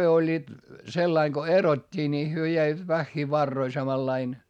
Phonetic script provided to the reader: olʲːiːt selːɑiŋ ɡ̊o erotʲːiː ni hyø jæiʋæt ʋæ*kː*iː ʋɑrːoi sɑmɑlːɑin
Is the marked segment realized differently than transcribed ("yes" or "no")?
yes